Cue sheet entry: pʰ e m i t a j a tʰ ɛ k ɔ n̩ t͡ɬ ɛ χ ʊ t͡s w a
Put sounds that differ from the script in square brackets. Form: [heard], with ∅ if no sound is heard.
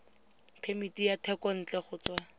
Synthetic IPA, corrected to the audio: pʰ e m i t [i] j a tʰ ɛ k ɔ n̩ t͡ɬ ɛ χ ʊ t͡s w a